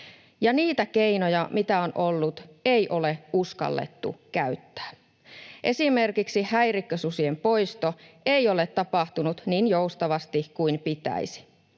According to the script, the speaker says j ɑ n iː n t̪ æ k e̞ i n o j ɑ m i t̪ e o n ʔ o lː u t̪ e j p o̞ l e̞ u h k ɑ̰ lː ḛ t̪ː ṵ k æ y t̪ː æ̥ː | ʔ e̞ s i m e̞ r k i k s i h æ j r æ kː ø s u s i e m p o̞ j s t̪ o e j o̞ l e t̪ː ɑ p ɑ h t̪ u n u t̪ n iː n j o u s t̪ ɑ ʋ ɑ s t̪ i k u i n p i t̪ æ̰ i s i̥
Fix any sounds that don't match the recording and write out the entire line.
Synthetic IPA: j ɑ n iː t̪ æ k e̞ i n o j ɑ m i t̪ æ o n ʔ o lː u t̪ e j ʔ o̞ l e̞ u s k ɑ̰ lː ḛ t̪ː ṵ k æ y t̪ː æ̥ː | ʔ e̞ s i m e̞ r k i k s i h æ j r i kː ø s u s i e m p o̞ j s t̪ o e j o̞ l e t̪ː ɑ p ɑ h t̪ u n u t̪ n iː n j o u s t̪ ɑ ʋ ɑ s t̪ i k u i n p i t̪ æ̰ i s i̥

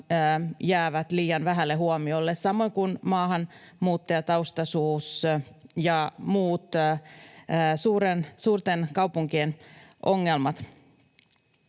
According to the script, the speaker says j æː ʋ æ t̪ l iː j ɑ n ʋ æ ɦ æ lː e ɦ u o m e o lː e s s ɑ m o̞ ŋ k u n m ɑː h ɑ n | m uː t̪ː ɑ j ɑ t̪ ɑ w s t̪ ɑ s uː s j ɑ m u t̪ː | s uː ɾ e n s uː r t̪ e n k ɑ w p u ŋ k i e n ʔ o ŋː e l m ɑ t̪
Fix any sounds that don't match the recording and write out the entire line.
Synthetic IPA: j æː ʋ æ t̪ l iː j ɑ n ʋ æ ɦ æ lː e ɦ u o m i o lː e s s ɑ m o̞ ŋ k u n m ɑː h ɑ n | m uː t̪ː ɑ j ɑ t̪ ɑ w s t̪ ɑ s uː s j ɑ m uː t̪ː | s uː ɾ e n s uː r t̪ e n k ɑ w p u ŋ k i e n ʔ o ŋː e l m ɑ t̪

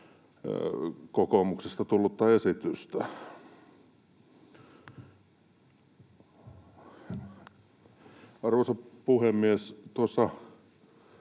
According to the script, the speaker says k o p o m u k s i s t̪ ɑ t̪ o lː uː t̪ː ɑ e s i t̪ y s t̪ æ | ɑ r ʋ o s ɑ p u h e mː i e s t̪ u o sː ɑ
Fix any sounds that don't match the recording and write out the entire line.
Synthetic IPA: k o k o m u k s e s t̪ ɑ t̪ u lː u t̪ː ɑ e s i t̪ y s t̪ æ | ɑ r ʋ o s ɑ p u h e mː i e s t̪ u o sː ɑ

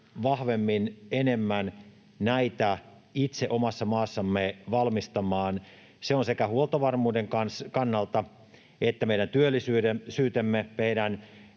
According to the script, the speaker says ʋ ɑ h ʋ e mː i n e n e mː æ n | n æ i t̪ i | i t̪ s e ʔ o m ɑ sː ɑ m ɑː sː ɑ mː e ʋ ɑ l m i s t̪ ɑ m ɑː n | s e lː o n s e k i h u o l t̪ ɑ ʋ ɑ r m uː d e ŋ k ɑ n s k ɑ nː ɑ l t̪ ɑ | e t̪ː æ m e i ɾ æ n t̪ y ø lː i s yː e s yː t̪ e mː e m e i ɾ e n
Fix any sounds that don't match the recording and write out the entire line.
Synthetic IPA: ʋ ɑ h ʋ e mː i n e n e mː æ n | n æ i t̪ æ | i t̪ s e ʔ o m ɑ sː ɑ m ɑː sː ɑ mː e ʋ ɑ l m i s t̪ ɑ m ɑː n | s e o n s e k æ h u o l t̪ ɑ ʋ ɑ r m uː d e ŋ k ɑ n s k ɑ nː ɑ l t̪ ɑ | e t̪ː æ m e i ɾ æ n t̪ y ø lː i s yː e s yː t̪ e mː e m e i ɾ æ n

